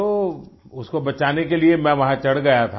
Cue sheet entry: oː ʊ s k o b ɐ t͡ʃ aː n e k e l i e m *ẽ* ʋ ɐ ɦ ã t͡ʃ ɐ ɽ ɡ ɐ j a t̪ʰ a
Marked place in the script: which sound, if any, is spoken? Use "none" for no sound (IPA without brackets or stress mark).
ɛ̃